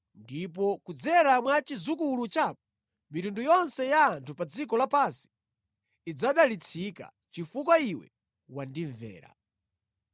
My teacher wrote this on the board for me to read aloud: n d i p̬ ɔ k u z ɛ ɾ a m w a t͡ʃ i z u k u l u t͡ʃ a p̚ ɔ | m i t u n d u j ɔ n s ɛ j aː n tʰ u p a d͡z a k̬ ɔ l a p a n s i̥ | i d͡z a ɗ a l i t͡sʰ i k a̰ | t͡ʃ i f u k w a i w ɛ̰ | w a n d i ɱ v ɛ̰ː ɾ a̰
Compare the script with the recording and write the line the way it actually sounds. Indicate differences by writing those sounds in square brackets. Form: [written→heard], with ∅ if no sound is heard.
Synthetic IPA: n d i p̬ ɔ k u [z→d͡z] ɛ ɾ a m w a t͡ʃ i z u k u l u t͡ʃ a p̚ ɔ | m i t u n d u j ɔ n s ɛ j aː n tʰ u p a d͡z [a→i] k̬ ɔ l a p a n s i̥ | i d͡z a ɗ a l i t͡sʰ i k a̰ | t͡ʃ i f u k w a i w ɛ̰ | w a n d i ɱ v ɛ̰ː ɾ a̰